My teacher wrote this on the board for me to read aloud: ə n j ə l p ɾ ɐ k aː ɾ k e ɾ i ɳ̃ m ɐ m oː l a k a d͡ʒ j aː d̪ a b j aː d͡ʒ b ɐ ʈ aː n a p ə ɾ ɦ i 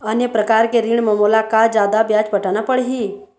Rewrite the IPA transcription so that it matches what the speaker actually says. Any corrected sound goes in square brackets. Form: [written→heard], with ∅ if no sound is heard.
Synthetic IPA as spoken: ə n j ə [l→∅] p ɾ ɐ k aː ɾ k e ɾ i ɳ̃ m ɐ m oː l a k a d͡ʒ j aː d̪ a b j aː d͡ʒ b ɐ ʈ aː n a p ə [ɾ→ɽ] ɦ i